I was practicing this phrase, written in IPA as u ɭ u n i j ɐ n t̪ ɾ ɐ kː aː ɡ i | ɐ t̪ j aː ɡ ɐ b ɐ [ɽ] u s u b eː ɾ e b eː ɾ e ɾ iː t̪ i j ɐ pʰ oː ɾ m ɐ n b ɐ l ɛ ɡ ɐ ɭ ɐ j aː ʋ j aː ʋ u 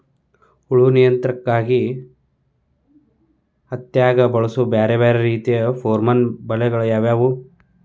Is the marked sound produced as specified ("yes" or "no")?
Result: no